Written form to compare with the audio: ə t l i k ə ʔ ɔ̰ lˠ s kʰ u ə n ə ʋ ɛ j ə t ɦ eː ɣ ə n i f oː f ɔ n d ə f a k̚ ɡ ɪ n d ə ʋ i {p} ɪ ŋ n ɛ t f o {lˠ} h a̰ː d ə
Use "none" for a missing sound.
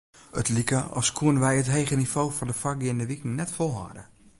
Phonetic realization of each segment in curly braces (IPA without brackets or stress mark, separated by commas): k, lˠ